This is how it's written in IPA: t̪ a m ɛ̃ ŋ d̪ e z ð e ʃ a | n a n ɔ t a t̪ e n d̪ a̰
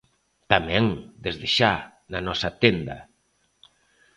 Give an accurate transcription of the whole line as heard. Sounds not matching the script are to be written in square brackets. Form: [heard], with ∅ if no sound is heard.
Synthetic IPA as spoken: t̪ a m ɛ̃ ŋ d̪ e z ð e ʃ a | n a n ɔ [s] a t̪ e n d̪ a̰